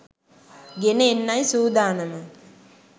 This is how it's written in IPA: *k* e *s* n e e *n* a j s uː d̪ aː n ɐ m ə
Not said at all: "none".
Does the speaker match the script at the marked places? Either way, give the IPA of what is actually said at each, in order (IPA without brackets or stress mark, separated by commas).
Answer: ɡ, none, nː